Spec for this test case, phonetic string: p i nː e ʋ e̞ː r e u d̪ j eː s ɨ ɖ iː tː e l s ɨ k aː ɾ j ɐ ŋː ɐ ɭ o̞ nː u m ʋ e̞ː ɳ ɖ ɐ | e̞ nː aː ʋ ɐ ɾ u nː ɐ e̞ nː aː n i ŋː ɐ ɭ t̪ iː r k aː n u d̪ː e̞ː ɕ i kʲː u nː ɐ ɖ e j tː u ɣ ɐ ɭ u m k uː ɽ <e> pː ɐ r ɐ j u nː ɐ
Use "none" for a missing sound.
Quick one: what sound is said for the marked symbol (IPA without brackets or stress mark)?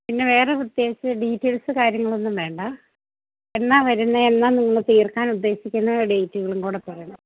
e